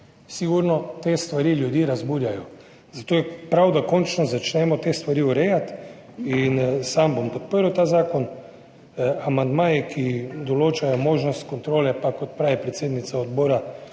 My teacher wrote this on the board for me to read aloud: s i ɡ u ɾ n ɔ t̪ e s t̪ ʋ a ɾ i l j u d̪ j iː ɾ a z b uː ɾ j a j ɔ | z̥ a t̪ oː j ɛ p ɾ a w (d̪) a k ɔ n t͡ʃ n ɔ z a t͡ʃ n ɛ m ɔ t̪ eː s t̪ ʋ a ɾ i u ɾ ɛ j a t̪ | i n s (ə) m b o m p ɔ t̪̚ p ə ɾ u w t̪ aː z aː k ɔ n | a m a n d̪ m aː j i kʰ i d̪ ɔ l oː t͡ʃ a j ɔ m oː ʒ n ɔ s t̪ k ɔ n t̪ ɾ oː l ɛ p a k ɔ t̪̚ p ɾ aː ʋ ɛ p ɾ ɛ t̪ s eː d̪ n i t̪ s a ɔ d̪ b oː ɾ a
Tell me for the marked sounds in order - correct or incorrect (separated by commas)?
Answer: correct, incorrect